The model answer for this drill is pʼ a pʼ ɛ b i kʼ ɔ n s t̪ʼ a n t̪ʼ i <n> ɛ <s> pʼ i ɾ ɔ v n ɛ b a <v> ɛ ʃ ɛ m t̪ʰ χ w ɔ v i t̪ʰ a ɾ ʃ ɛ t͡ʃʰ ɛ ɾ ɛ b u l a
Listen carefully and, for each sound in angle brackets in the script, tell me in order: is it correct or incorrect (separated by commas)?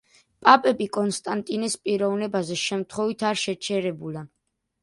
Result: correct, correct, incorrect